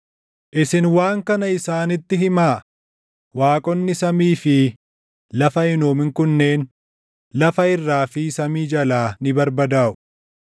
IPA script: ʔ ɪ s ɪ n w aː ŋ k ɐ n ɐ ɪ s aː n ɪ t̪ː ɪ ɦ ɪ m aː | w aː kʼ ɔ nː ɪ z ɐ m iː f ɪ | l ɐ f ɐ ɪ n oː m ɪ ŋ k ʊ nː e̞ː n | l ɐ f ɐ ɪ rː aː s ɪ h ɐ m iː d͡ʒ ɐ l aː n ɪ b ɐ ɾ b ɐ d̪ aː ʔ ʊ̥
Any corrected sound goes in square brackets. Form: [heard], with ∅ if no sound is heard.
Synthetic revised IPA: ʔ ɪ s ɪ n w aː ŋ k ɐ n ɐ ɪ s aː n ɪ t̪ː ɪ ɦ ɪ m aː | w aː kʼ ɔ nː ɪ [s] ɐ m iː f ɪ | l ɐ f ɐ ɪ n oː m ɪ ŋ k ʊ nː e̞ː n | l ɐ f ɐ ɪ rː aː [f] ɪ [s] ɐ m iː d͡ʒ ɐ l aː n ɪ b ɐ ɾ b ɐ d̪ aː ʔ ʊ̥